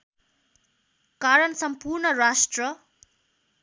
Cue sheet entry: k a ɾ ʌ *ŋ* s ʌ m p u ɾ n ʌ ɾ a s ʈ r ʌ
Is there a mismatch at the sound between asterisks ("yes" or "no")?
yes